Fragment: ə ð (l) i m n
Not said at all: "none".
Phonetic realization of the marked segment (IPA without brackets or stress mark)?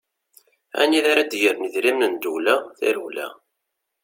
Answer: ɾ